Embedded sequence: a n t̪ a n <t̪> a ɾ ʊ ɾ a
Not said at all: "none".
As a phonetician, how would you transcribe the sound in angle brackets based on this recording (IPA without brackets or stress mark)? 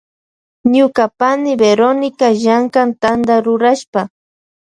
d̪